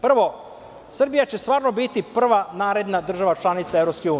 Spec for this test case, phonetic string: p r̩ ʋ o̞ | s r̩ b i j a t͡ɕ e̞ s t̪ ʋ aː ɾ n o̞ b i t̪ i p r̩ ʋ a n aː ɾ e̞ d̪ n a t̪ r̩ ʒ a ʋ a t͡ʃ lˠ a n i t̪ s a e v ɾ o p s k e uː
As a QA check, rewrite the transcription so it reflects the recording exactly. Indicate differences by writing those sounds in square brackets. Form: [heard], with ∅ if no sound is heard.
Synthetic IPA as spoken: p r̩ ʋ o̞ | s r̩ b i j a t͡ɕ e̞ s t̪ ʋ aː ɾ n o̞ b i t̪ i p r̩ ʋ a n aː ɾ e̞ d̪ n a [d̪] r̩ ʒ a ʋ a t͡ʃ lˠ a n i t̪ s a e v ɾ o p s k e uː